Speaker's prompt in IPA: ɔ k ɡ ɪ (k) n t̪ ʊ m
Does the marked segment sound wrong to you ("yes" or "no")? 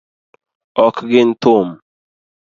yes